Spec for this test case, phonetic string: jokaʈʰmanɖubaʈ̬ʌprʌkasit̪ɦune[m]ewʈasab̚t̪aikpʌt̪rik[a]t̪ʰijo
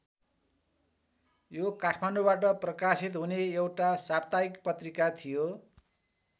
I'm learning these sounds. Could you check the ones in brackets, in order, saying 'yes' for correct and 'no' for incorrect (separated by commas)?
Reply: no, yes